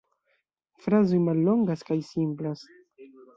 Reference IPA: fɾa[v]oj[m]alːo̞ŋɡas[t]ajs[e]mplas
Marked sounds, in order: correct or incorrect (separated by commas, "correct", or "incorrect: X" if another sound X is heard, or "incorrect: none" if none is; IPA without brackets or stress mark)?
incorrect: z, correct, incorrect: k, incorrect: i